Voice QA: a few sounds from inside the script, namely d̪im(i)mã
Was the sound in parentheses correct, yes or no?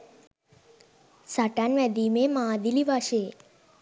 no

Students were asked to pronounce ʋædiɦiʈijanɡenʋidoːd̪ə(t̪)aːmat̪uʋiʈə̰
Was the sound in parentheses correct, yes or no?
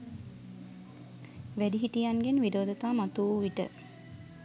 yes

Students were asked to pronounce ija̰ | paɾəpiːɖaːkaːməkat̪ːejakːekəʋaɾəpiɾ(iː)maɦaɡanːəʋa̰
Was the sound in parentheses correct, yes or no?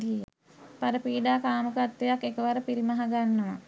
no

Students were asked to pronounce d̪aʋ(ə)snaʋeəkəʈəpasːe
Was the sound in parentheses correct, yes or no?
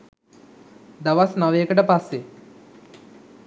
no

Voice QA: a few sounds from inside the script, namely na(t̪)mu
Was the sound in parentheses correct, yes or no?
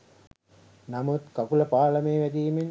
no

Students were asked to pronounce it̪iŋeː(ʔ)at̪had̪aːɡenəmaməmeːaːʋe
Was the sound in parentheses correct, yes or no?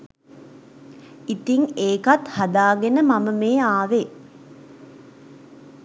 no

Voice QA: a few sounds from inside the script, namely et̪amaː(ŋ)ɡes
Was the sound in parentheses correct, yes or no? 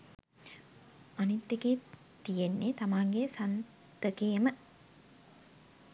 yes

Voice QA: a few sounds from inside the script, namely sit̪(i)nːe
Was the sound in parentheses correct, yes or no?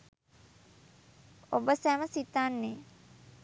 no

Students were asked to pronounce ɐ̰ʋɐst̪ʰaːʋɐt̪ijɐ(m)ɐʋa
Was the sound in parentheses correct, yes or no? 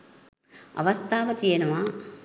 no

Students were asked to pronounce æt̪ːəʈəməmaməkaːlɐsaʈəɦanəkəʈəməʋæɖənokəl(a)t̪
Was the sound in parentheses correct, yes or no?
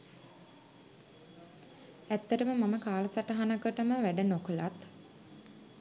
yes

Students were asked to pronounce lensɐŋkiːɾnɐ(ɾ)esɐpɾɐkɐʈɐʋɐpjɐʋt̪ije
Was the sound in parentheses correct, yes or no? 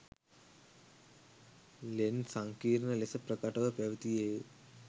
no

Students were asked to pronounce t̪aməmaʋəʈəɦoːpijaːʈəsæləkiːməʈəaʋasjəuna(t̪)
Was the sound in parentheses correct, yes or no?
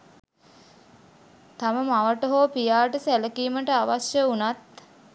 yes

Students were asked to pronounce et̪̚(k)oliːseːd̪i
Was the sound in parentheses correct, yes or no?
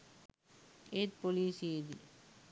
no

